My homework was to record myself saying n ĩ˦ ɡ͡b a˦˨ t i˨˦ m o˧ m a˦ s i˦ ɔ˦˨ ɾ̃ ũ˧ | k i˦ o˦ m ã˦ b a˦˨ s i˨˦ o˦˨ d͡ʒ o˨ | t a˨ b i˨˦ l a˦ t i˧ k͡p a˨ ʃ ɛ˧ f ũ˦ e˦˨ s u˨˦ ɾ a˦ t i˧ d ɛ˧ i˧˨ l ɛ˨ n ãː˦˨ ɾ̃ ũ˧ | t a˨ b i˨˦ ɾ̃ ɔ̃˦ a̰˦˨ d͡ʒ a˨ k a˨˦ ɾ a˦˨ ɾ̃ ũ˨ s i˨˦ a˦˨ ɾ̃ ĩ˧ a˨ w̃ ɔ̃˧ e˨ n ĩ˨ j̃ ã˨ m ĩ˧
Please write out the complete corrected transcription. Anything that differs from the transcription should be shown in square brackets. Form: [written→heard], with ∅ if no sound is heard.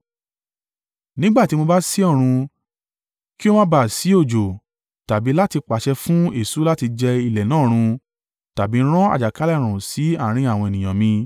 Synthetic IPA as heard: n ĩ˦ ɡ͡b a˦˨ t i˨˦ m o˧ [m→b] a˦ s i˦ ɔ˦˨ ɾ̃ ũ˧ | k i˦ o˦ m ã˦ b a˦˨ s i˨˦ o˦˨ d͡ʒ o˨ | t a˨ b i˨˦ l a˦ t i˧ k͡p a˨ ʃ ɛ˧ f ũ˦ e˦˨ s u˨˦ [ɾ→l] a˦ t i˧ [d→d͡ʒ] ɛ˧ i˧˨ l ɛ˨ n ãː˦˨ ɾ̃ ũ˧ | t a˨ b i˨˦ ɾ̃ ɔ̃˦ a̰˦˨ d͡ʒ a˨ k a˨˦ [ɾ→l] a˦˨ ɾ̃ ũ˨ s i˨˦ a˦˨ ɾ̃ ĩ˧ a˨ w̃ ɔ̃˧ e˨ n ĩ˨ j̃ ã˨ m ĩ˧